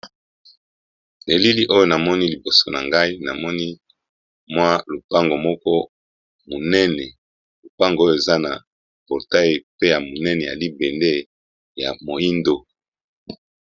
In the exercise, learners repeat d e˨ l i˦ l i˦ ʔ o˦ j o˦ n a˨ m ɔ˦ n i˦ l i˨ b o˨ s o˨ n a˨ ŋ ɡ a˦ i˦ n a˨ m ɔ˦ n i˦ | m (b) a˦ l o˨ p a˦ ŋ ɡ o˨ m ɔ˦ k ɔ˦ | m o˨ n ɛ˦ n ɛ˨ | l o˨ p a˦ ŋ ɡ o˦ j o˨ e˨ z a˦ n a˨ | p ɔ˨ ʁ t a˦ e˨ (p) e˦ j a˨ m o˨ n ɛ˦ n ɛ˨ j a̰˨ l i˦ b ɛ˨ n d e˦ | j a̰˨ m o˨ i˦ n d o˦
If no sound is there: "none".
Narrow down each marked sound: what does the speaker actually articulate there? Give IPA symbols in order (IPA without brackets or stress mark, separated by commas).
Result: w, p